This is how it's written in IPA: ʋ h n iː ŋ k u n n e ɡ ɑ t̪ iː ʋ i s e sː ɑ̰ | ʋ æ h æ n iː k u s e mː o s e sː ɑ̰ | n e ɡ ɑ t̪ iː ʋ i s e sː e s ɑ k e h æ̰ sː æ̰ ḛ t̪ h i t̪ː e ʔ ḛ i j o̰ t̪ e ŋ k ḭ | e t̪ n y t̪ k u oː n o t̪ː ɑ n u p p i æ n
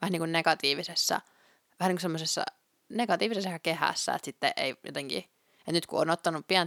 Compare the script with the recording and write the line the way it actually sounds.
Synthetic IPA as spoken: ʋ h n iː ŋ k u n n e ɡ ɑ t̪ iː ʋ i s e sː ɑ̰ | ʋ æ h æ n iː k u s e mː o s e sː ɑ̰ | n e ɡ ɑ t̪ iː ʋ i s e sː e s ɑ k e h æ̰ sː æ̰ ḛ t̪ s i t̪ː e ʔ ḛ i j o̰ t̪ e ŋ k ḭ | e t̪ n y t̪ k u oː n o t̪ː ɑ n u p p i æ n